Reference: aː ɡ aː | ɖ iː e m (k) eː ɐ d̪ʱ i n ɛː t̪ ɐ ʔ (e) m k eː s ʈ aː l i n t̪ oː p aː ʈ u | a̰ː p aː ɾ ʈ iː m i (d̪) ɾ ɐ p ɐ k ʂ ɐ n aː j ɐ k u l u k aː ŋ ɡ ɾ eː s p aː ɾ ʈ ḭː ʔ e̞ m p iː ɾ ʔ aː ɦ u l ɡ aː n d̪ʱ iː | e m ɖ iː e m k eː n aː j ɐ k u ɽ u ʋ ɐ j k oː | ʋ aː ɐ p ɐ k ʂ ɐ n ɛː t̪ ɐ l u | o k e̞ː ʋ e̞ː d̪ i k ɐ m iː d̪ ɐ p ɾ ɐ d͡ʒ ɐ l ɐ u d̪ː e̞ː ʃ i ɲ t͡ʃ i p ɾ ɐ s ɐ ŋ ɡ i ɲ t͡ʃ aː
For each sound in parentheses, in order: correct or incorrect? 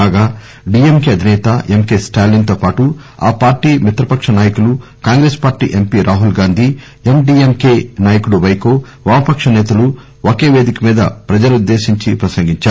correct, correct, incorrect

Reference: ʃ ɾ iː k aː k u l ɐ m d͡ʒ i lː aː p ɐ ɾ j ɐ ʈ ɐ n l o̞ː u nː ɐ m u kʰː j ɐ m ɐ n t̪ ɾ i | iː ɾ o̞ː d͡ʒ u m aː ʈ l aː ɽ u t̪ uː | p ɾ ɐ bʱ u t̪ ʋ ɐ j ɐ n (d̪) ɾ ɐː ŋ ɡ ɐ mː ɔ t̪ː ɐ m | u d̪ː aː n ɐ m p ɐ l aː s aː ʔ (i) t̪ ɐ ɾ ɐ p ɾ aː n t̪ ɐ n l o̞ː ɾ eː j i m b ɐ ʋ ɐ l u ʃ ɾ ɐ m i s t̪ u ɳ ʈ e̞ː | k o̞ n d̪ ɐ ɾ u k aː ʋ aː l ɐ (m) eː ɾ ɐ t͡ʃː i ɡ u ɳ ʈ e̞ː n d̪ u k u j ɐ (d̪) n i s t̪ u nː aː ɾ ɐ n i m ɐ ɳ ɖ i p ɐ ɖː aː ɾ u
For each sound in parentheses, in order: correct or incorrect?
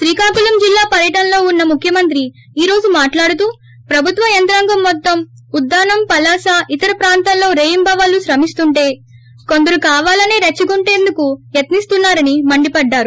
incorrect, correct, incorrect, incorrect

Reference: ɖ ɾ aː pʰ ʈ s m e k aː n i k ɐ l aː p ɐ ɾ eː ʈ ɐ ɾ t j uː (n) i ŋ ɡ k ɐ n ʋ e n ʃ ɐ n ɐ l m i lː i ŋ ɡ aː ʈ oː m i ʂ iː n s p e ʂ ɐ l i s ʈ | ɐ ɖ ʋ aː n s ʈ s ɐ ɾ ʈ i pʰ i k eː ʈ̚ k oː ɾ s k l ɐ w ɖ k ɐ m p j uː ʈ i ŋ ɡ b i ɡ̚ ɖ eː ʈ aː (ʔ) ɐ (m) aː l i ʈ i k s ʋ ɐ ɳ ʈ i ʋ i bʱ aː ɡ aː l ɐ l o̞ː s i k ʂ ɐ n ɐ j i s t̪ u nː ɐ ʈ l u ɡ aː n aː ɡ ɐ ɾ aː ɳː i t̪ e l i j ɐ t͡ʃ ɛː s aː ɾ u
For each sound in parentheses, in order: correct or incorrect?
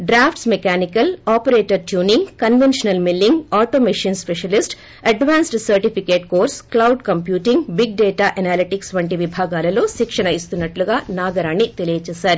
correct, correct, incorrect

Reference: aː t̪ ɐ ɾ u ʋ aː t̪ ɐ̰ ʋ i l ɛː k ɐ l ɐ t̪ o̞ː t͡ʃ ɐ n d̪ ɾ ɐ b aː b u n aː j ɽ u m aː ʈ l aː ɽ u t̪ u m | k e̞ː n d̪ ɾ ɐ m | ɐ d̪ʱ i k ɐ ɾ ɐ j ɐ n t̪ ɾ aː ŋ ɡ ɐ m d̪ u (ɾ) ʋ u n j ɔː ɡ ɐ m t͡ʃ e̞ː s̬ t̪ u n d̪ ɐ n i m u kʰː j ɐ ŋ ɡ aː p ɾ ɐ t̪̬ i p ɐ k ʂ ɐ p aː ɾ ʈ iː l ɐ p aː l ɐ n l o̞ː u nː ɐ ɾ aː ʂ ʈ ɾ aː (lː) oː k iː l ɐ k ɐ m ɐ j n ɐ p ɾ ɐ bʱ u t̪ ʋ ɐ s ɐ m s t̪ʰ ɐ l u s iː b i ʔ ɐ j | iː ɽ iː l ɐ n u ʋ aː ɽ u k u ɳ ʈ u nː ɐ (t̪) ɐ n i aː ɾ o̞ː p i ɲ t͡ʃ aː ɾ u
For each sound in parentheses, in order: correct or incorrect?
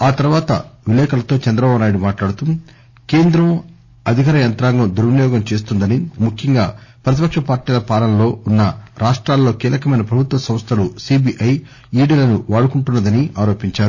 correct, correct, incorrect

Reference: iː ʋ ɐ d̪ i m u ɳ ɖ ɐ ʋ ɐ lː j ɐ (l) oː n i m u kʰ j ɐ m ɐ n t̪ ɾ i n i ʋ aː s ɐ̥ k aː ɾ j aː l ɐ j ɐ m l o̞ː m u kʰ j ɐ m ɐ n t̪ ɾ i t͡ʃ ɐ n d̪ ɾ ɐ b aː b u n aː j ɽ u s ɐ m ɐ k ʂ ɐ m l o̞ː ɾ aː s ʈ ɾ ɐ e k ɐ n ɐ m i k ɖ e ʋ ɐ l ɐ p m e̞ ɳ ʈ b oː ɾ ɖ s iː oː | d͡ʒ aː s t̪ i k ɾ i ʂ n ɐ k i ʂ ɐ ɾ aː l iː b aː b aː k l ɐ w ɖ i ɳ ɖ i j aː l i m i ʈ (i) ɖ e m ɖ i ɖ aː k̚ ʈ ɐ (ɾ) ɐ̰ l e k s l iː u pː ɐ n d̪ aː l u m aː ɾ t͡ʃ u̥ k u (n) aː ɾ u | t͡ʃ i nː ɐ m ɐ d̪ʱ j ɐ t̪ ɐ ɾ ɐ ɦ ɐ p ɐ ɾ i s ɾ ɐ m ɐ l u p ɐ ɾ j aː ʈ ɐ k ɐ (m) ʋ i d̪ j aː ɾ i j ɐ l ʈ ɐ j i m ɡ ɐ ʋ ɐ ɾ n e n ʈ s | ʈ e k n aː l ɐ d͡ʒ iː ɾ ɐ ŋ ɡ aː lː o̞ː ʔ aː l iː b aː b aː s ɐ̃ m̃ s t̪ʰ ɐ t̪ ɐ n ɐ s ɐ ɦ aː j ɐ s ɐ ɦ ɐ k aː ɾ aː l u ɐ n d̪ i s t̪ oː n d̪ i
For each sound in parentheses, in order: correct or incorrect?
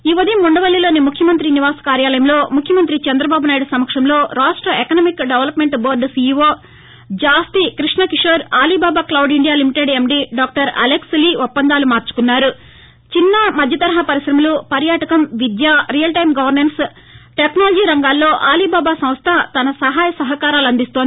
correct, incorrect, correct, incorrect, correct

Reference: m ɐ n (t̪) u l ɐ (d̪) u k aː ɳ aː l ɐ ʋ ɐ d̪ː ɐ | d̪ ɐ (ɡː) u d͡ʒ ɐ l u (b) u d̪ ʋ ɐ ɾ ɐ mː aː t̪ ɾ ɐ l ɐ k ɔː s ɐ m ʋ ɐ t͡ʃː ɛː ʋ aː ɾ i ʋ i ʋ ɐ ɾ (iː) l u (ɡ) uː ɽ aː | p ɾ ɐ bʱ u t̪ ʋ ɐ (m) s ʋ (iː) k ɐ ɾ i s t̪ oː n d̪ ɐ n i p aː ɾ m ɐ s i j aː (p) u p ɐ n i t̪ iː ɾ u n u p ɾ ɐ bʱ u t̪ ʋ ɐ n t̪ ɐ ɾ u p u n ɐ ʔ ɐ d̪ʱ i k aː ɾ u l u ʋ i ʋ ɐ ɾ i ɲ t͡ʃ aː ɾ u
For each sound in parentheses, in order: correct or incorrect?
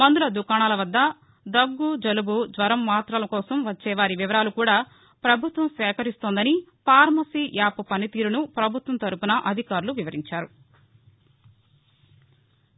incorrect, correct, correct, correct, incorrect, incorrect, correct, incorrect, correct

